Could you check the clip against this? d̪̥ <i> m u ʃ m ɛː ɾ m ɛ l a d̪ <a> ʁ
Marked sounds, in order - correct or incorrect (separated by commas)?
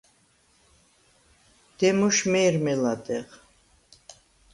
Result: incorrect, incorrect